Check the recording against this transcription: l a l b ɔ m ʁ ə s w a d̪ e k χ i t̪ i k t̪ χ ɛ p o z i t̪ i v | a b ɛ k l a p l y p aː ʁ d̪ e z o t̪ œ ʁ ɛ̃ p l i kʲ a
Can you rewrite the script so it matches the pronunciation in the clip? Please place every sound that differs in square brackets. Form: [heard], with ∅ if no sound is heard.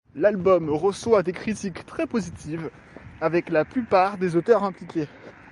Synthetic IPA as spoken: l a l b ɔ m ʁ ə s w a d̪ e k χ i t̪ i k t̪ χ ɛ p o z i t̪ i v | a [v] ɛ k l a p l y p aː ʁ d̪ e z o t̪ œ ʁ ɛ̃ p l i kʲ [e]